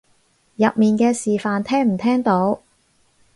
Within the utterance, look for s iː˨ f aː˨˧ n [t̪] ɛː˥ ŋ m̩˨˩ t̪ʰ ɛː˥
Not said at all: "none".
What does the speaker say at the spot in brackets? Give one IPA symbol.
t̪ʰ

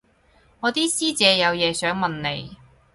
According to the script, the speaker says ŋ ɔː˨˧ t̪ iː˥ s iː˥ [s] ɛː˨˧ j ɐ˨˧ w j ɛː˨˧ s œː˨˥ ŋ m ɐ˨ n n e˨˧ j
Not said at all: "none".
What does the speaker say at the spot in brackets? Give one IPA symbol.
t͡s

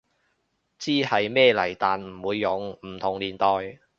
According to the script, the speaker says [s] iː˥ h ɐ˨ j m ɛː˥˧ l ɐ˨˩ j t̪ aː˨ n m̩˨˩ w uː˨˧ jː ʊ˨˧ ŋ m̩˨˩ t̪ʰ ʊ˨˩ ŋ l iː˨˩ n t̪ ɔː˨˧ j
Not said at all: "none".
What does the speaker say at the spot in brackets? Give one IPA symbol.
t͡s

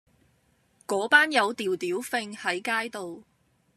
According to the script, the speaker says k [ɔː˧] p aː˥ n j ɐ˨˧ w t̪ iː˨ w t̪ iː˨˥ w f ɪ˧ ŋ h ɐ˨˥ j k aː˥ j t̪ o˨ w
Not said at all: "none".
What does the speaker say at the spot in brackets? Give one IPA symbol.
ɔː˨˥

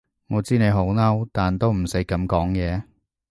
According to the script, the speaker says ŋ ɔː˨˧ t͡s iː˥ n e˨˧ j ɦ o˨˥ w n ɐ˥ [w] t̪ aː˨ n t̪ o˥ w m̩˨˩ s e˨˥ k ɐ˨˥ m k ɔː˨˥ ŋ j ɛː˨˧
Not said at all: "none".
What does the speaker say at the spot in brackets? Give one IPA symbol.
w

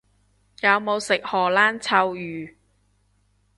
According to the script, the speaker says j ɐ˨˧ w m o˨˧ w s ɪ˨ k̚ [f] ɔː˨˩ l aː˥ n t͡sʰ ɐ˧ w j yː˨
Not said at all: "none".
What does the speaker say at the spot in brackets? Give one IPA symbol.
h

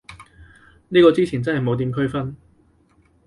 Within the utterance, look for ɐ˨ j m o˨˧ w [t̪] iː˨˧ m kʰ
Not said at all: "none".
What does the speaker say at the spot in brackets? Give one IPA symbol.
t̪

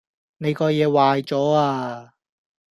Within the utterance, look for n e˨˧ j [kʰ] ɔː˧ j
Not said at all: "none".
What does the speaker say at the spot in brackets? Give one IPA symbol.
k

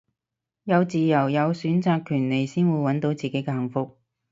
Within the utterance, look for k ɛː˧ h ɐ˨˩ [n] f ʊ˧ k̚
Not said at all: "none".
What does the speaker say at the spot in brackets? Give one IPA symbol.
ŋ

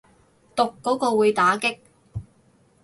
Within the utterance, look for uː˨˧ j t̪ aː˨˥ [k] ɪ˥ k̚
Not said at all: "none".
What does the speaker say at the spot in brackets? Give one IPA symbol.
k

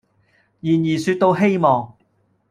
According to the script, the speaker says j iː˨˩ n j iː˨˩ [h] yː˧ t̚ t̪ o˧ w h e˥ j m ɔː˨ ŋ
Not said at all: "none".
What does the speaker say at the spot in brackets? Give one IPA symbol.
s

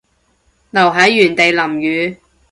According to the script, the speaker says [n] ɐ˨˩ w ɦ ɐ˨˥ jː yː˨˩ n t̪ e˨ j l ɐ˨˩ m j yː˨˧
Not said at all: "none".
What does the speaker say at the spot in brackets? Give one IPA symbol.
n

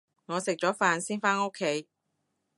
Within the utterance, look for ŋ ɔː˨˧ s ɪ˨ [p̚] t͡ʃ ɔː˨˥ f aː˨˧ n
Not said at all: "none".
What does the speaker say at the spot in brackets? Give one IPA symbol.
k̚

